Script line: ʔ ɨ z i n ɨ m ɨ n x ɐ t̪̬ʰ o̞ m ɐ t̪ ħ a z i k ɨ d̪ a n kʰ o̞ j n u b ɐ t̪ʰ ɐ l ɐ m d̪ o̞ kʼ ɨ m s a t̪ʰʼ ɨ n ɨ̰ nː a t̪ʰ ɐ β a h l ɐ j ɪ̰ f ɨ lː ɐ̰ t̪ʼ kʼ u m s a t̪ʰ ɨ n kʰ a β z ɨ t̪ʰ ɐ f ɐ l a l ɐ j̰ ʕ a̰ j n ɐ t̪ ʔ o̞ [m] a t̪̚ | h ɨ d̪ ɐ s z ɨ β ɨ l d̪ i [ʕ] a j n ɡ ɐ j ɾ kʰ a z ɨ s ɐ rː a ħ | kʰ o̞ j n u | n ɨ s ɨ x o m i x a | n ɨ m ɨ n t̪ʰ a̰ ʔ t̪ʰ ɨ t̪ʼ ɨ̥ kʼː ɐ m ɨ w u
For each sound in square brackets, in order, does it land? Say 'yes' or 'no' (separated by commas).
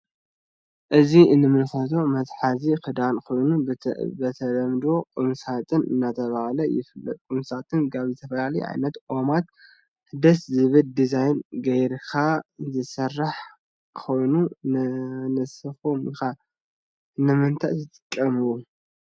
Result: yes, no